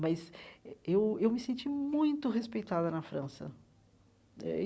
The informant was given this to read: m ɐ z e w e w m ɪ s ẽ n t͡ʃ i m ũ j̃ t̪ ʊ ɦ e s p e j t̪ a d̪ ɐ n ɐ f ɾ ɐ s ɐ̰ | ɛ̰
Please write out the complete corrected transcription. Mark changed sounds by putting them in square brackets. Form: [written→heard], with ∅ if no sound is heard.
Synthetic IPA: m ɐ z e w e w m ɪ s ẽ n t͡ʃ i m ũ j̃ t̪ ʊ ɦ e s p e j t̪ a d̪ ɐ n ɐ f ɾ [ɐ→ɐ̃] s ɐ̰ | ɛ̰